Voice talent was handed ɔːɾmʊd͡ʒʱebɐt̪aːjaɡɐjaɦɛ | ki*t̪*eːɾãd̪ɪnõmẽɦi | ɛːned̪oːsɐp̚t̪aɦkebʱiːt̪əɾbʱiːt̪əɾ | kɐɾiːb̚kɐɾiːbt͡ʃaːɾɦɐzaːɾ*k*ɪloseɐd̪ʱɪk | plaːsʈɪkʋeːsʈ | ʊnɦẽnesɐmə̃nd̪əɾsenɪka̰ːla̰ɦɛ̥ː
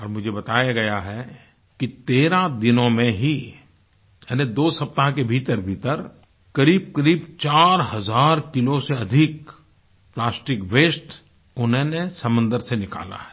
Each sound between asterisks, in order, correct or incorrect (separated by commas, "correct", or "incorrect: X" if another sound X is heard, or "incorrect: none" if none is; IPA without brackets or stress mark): correct, correct